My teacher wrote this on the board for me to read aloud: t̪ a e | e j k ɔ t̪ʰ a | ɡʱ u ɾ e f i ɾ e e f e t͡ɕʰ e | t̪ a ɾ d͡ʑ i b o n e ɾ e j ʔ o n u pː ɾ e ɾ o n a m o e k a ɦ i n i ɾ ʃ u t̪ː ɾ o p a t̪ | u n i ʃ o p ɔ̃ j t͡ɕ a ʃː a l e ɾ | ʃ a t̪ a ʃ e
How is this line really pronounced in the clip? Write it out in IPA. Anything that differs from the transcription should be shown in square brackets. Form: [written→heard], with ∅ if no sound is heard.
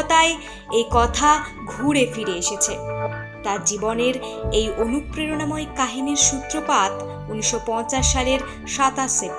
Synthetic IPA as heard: t̪ a e | e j k ɔ t̪ʰ a | ɡʱ u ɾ e f i ɾ e e [f→ʃ] e t͡ɕʰ e | t̪ a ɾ d͡ʑ i b o n e ɾ e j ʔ o n u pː ɾ e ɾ o n a m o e k a ɦ i n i ɾ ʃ u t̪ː ɾ o p a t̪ | u n i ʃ o p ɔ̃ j t͡ɕ a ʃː a l e ɾ | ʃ a t̪ a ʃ e